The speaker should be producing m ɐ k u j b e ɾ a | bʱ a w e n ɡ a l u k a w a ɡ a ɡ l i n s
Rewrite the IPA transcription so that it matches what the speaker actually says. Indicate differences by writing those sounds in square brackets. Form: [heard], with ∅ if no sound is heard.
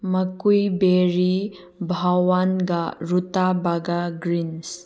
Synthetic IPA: m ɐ k u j b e ɾ [i] | bʱ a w [a] n ɡ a [ɾ] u [t] a [b] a ɡ a ɡ [ɾ] i n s